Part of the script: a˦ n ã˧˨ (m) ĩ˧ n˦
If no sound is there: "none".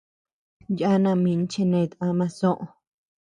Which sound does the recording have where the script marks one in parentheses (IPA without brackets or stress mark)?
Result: m